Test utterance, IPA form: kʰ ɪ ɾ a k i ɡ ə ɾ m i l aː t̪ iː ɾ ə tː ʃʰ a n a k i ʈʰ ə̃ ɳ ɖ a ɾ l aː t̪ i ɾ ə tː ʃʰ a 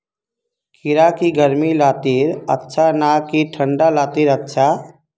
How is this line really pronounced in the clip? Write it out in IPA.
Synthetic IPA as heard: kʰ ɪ ɾ a k i ɡ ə ɾ m i l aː t̪ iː ɾ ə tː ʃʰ a n a k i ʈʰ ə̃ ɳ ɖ a l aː t̪ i ɾ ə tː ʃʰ a